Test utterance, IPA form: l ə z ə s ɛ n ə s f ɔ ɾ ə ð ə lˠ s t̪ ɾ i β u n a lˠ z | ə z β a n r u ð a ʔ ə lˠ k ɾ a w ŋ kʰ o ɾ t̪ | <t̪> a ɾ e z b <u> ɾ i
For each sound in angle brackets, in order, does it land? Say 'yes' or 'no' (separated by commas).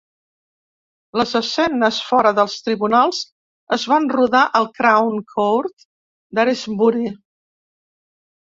no, yes